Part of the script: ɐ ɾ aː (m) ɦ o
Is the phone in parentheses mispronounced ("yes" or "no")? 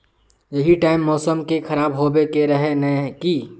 yes